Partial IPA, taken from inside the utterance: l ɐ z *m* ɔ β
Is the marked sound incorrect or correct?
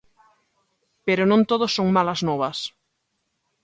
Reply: incorrect